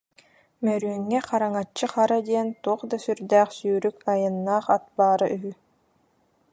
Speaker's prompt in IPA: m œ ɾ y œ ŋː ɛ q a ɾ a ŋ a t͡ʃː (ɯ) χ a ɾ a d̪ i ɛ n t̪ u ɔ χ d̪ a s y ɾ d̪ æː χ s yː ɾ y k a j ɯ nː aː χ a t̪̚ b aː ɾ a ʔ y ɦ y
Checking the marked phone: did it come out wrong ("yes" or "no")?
no